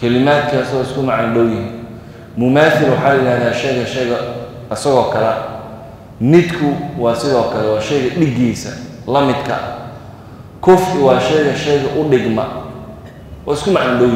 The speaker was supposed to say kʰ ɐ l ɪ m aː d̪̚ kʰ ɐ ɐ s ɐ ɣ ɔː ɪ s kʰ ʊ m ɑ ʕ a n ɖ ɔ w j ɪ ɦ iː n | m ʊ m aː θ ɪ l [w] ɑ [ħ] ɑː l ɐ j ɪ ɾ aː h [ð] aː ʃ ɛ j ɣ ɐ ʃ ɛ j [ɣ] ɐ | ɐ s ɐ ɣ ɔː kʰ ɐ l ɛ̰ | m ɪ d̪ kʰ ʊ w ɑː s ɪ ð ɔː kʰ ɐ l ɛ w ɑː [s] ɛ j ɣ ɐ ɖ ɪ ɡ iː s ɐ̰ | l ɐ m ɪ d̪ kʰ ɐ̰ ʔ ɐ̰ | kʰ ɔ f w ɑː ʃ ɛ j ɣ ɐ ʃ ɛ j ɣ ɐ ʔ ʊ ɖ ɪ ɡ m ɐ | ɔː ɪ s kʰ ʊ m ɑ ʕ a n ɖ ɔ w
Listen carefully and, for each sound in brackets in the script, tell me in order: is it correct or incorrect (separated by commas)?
correct, correct, correct, correct, incorrect